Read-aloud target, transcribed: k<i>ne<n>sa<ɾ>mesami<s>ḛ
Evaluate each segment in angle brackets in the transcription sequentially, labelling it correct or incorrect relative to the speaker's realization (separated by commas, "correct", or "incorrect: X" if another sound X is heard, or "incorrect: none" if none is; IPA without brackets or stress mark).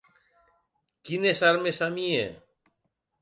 correct, incorrect: none, correct, incorrect: none